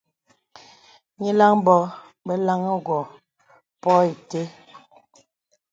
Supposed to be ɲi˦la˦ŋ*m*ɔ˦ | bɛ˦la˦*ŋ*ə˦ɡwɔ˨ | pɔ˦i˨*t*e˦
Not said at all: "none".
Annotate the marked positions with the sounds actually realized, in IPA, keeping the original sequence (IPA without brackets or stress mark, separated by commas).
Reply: b, ŋ, t